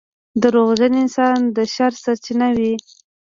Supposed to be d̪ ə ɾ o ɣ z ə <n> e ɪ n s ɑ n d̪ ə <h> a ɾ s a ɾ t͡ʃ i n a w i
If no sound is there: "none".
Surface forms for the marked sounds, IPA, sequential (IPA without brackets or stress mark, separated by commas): n, ʃ